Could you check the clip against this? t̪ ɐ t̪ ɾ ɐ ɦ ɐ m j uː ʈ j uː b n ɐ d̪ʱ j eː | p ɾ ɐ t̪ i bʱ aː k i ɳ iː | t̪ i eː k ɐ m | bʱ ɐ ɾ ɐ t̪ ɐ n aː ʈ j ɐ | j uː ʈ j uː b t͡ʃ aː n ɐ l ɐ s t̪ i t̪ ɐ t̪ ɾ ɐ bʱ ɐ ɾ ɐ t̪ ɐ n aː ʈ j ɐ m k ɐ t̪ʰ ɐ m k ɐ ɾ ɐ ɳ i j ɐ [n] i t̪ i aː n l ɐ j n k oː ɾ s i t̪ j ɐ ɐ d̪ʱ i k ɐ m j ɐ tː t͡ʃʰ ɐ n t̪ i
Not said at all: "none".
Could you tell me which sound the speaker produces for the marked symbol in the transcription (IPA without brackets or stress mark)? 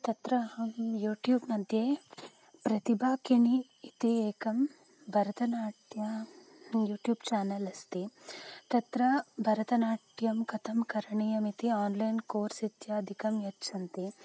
m